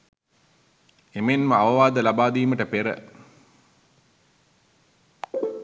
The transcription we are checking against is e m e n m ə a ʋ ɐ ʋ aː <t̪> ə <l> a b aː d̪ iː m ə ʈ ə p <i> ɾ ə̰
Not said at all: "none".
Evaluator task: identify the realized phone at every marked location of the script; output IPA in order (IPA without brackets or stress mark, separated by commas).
d̪, l, e